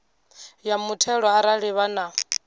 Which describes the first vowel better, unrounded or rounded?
unrounded